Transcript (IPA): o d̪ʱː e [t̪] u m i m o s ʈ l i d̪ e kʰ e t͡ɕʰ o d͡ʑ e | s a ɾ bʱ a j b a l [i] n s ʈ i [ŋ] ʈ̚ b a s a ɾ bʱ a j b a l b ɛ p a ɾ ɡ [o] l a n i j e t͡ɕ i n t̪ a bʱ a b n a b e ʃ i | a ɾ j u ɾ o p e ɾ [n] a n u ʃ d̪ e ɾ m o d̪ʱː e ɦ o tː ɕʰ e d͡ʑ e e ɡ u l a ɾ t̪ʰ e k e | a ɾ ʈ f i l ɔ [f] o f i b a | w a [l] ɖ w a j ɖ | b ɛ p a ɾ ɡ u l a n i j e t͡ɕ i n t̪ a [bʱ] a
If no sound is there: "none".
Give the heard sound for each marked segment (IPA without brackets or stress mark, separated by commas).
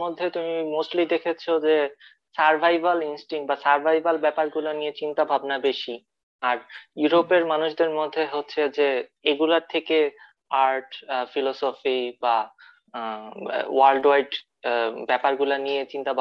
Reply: t̪, i, ŋ, u, m, s, l, bʱ